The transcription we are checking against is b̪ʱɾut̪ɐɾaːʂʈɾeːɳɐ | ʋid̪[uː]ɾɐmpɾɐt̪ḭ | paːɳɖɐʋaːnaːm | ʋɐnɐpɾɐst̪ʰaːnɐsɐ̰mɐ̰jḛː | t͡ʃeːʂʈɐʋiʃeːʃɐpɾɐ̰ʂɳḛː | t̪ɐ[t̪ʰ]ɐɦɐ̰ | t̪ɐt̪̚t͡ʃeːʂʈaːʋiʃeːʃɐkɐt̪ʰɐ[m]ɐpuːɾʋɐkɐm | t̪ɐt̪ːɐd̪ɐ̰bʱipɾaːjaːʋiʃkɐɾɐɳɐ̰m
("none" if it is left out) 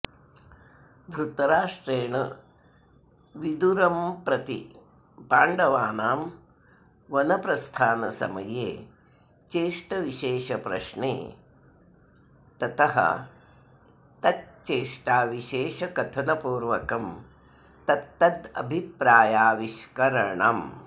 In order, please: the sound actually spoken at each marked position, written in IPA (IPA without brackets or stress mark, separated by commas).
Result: u, t̪, n